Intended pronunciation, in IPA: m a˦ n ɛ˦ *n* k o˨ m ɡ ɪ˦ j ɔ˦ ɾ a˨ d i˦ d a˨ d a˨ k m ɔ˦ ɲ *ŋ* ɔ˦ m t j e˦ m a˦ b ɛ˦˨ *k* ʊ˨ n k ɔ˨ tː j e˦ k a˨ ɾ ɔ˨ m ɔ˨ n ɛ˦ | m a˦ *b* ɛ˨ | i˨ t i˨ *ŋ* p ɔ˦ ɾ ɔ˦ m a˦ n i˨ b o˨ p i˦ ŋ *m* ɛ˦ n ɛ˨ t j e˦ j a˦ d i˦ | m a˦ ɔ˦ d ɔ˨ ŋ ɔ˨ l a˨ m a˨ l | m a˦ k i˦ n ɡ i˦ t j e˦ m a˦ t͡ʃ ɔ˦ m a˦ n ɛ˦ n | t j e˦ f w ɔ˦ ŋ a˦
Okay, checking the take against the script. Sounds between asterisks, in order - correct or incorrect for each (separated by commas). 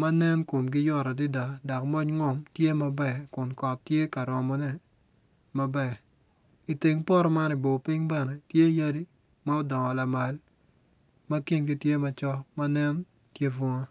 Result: correct, correct, correct, correct, correct, incorrect